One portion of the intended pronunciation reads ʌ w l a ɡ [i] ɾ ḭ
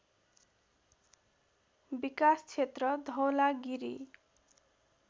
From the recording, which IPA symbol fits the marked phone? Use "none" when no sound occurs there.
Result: i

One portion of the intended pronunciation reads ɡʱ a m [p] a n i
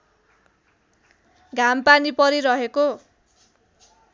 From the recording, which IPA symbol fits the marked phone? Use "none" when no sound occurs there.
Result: p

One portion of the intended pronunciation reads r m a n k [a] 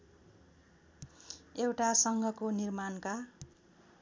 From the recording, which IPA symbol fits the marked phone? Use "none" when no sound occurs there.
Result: a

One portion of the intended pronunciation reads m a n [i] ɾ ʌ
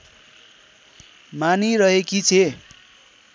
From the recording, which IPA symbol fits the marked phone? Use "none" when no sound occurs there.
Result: i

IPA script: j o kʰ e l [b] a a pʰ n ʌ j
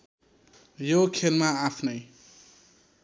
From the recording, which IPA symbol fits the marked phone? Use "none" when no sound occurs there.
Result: m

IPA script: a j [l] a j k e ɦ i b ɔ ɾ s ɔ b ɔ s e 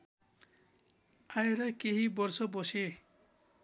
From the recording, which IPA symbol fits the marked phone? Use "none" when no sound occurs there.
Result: ɾ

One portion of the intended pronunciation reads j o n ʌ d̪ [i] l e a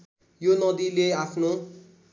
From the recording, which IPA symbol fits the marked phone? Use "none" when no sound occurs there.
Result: i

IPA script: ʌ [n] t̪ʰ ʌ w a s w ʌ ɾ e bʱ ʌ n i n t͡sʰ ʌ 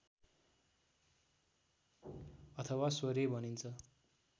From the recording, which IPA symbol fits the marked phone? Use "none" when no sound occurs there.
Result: none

